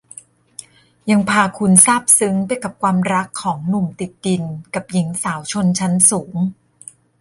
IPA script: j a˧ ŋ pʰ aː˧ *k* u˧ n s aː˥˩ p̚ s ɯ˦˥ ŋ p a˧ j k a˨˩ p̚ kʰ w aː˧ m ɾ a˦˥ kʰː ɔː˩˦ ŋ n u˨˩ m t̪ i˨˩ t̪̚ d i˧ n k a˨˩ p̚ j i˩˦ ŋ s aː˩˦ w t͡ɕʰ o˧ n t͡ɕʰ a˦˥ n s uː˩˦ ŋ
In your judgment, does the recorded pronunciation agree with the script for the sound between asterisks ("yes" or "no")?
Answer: no